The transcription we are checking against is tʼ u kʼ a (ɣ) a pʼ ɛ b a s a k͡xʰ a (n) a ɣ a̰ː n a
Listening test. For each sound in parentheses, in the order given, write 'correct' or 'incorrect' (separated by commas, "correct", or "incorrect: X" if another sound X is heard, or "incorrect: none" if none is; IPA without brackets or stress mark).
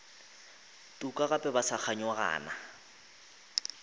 correct, incorrect: ɲ